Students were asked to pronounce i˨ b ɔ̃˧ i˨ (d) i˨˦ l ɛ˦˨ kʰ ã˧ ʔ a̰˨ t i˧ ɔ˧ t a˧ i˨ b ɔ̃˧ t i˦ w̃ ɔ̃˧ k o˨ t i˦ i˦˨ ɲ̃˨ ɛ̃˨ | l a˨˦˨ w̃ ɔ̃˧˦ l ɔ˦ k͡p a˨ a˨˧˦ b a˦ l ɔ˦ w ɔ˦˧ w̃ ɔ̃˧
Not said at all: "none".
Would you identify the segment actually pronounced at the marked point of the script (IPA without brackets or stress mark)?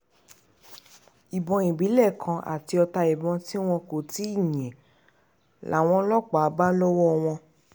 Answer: b